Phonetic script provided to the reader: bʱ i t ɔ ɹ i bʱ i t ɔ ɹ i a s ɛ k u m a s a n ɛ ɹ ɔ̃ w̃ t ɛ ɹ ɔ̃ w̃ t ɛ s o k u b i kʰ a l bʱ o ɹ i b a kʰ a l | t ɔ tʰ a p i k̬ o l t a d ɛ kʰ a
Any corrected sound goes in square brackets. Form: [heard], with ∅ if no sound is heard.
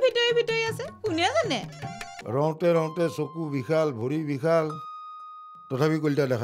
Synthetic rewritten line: bʱ i t ɔ ɹ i bʱ i t ɔ ɹ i a s ɛ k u [n] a [z] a n ɛ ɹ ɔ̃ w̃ t ɛ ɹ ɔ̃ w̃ t ɛ s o k u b i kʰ a l bʱ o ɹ i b [i] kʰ a l | t ɔ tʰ a p i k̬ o l t a d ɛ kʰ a